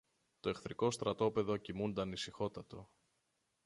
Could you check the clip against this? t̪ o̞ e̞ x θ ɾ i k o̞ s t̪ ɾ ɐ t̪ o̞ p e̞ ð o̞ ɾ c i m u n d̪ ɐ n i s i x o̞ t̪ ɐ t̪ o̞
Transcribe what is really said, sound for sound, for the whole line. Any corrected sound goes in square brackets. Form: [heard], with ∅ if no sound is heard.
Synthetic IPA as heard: t̪ o̞ e̞ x θ ɾ i k o̞ s t̪ ɾ ɐ t̪ o̞ p e̞ ð o̞ [∅] c i m u n d̪ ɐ n i s i x o̞ t̪ ɐ t̪ o̞